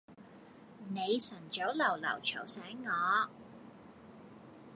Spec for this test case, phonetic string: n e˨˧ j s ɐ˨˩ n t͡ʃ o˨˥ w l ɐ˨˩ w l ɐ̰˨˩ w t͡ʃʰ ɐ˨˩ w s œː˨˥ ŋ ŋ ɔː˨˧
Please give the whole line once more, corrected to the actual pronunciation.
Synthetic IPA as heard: n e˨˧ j s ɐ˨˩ n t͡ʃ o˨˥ w l ɐ˨˩ w l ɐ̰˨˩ w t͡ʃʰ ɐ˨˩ w s ɛː˨˥ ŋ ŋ ɔː˨˧

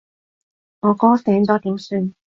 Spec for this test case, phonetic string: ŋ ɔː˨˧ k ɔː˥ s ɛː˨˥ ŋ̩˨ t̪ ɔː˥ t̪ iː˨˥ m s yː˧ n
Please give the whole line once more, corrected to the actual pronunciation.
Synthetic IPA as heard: ŋ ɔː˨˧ k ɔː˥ s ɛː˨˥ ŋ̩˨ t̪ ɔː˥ t̪ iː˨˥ m s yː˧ n

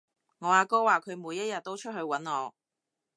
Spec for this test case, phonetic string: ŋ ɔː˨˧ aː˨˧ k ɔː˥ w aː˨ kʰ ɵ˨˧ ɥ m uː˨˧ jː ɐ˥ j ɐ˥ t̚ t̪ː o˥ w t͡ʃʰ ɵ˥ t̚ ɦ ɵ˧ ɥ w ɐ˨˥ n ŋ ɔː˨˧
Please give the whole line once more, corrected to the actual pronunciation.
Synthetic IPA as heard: ŋ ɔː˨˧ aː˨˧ k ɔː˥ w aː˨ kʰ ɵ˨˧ ɥ m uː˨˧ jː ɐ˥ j ɐ˨ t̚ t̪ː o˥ w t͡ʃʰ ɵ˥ t̚ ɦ ɵ˧ ɥ w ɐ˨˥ n ŋ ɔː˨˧

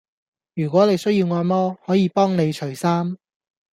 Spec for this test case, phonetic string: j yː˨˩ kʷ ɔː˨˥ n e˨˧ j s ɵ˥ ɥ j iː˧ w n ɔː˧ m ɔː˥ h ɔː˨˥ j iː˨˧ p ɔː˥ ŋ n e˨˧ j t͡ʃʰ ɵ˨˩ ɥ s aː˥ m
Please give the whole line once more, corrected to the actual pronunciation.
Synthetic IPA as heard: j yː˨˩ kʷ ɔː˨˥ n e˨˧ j s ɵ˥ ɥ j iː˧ w ŋ ɔː˧ m ɔː˥ h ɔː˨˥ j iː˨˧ p ɔː˥ ŋ n e˨˧ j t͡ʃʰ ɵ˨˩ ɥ s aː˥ m

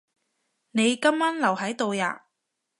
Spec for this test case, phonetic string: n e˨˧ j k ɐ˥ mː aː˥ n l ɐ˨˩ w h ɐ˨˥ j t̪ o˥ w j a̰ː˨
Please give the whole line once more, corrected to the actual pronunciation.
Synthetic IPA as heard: n e˨˧ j k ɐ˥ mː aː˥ n l ɐ˨˩ w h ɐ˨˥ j t̪ o˨˧ w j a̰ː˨

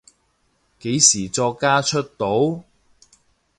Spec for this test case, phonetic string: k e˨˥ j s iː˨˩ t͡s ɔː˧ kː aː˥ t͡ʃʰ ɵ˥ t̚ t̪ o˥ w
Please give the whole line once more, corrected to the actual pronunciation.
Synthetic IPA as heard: k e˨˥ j s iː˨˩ t͡s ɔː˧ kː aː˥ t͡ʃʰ ɵ˥ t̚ t̪ o˨˥ w

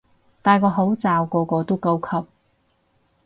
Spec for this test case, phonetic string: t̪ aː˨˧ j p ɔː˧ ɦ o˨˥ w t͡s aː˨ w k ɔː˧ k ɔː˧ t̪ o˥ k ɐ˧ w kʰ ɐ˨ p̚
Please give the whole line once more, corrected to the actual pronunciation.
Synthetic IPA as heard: t̪ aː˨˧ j k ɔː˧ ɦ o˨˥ w t͡s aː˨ w k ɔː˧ k ɔː˧ t̪ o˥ k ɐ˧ w kʰ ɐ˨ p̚

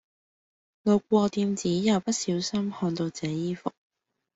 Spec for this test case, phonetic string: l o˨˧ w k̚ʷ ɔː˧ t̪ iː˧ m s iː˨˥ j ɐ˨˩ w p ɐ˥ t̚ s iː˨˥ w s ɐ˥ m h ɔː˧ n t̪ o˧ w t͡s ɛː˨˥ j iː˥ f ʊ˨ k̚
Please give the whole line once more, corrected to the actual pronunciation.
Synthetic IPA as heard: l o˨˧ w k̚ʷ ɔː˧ t̪ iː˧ m t͡s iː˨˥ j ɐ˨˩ w p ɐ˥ t̚ s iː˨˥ w s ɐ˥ m h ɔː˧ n t̪ o˧ w t͡s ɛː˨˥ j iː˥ f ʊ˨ k̚

